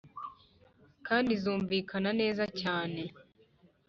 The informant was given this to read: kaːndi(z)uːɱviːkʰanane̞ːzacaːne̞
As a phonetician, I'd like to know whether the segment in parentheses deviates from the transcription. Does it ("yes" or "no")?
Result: no